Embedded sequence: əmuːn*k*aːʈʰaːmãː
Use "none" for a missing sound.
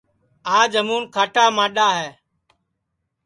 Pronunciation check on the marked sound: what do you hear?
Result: kʰ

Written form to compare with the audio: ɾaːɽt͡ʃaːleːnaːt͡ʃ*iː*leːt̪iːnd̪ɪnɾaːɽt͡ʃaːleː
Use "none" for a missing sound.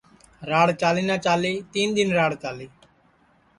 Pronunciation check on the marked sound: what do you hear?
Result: aː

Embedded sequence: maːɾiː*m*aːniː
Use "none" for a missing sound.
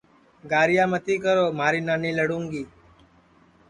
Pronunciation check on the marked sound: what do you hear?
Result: n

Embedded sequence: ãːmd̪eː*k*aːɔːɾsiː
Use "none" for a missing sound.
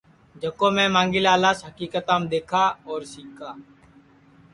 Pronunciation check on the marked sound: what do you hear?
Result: kʰ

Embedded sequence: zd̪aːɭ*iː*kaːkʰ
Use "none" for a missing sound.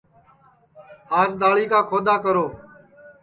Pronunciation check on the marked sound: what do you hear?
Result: iː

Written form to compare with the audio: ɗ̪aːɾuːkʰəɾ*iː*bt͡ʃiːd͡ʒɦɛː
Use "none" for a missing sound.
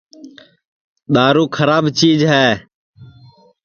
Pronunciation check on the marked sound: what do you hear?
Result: aː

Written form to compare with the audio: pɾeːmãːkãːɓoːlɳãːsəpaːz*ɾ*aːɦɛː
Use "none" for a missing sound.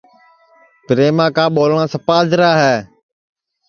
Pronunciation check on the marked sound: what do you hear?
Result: ɾ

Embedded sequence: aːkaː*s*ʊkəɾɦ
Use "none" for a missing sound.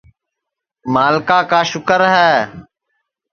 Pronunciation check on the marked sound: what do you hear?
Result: ʃ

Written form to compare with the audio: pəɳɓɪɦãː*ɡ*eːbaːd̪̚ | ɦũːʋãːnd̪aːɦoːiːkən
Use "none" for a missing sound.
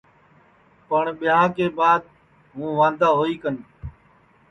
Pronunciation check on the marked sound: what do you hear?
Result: k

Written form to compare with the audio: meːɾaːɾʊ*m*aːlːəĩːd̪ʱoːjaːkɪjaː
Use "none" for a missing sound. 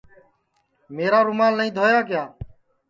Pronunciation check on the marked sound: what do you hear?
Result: m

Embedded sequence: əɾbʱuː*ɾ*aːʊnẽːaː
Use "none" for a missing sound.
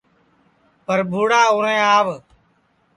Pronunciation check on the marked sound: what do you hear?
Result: ɽ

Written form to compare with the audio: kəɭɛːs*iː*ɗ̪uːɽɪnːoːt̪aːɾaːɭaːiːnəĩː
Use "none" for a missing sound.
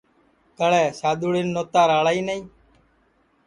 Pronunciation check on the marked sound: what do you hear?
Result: aː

